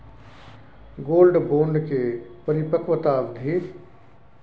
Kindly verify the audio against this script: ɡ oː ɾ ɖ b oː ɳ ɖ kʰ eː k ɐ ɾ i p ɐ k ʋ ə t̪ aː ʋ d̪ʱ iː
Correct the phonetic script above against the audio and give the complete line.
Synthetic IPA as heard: ɡ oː l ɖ b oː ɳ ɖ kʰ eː p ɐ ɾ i p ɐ k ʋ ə t̪ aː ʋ d̪ʱ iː